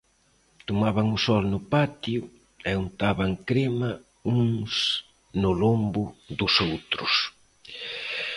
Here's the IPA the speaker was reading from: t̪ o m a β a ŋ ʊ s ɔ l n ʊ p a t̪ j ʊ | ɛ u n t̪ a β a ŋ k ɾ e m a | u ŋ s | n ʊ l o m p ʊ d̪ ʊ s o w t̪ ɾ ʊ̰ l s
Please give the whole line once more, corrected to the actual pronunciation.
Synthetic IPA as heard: t̪ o m a β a ŋ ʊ s ɔ l n ʊ p a t̪ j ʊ | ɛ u n t̪ a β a ŋ k ɾ e m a | u ŋ s | n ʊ l o m b ʊ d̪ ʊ s o w t̪ ɾ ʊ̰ s